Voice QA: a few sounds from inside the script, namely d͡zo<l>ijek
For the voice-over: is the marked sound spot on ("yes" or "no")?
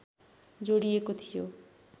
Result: no